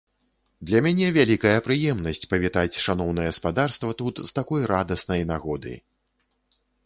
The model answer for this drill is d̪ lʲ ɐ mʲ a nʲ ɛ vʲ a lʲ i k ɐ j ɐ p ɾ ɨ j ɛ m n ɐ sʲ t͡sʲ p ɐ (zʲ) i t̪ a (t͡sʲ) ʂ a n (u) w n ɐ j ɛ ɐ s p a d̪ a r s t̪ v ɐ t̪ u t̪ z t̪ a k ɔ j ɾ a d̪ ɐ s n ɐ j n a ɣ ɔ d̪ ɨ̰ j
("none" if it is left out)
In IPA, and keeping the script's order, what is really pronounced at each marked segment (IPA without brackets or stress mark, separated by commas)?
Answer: vʲ, t͡sʲ, ɔ